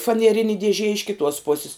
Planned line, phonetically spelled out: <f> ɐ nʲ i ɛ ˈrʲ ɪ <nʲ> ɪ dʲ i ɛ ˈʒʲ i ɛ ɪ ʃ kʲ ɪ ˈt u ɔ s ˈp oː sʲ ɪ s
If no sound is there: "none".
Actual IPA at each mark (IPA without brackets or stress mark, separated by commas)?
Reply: f, nʲ